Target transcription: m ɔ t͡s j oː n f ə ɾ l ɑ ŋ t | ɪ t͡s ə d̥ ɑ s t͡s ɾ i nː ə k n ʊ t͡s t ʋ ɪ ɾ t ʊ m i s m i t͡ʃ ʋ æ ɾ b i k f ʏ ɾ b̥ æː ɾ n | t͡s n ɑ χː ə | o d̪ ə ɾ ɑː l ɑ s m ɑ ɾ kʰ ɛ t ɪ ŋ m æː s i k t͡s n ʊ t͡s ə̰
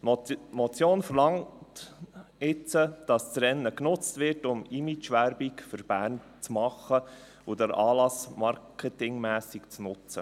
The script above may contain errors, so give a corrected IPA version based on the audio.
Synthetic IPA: m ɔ t͡s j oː n f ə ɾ l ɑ ŋ t | ɪ t͡s ə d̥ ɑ s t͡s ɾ ɛ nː ə k n ʊ t͡s t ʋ ɪ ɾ t ʊ m i m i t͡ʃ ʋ æ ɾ b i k f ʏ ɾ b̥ æː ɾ n | t͡s m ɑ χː ə | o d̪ ə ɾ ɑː l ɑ s m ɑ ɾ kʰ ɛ t ɪ ŋ m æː s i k t͡s n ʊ t͡s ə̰